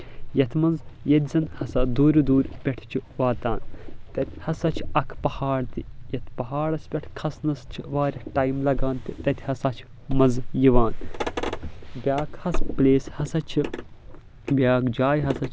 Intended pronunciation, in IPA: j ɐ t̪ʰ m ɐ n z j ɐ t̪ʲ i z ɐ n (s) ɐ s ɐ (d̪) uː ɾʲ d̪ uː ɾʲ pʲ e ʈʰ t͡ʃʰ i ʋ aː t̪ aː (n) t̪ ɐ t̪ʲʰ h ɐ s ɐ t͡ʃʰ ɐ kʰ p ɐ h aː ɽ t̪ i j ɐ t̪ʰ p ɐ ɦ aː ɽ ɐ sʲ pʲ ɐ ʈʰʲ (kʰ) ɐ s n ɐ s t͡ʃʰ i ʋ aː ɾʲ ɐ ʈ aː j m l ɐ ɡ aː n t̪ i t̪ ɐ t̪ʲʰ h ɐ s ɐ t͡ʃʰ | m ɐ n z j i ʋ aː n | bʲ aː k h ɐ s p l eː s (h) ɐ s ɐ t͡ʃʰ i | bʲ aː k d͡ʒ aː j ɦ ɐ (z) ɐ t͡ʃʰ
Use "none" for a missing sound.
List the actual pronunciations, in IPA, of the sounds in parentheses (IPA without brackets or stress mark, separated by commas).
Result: h, d̪, n, kʰ, h, s